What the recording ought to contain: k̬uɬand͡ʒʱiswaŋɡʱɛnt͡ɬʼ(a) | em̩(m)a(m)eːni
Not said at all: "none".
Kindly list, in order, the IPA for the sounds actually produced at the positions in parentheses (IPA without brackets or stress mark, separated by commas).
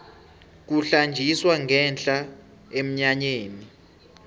a, ɲ, ɲ